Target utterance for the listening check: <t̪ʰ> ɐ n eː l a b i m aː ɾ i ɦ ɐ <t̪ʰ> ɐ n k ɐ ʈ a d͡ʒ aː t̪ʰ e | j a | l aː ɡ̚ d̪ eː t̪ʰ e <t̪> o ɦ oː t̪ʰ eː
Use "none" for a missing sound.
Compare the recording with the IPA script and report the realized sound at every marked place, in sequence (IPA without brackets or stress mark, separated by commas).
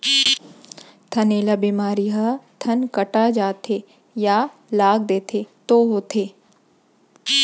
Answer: t̪ʰ, t̪ʰ, t̪